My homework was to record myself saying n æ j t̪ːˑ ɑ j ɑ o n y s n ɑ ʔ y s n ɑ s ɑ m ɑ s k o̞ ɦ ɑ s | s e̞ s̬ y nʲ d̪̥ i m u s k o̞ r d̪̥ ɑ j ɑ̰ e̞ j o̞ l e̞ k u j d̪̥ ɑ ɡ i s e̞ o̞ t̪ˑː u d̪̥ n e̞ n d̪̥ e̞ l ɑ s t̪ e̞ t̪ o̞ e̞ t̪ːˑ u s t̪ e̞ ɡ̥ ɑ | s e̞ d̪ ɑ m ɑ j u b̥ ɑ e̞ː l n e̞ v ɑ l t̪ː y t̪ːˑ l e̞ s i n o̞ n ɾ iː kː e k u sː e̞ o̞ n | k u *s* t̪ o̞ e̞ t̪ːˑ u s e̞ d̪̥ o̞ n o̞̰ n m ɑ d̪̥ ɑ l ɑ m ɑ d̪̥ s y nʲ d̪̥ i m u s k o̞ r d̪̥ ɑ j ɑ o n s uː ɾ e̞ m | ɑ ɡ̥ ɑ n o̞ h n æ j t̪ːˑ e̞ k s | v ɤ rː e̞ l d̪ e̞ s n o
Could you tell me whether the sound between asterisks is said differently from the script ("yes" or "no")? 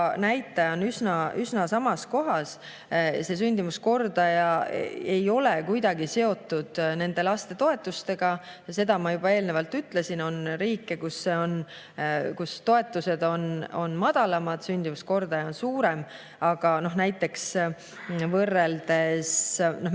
no